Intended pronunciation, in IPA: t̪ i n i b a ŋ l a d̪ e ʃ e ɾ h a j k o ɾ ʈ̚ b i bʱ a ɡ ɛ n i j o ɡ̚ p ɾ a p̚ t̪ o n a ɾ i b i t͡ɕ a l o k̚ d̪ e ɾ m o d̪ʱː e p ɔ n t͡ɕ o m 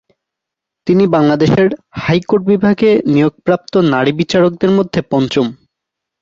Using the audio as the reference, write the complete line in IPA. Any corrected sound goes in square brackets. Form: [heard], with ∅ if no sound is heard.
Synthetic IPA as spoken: t̪ i n i b a ŋ l a d̪ e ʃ e ɾ h a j k o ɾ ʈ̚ b i bʱ a ɡ [e] n i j o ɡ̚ p ɾ a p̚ t̪ o n a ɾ i b i t͡ɕ a [ɾ] o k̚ d̪ e ɾ m o d̪ʱː e p ɔ n t͡ɕ o m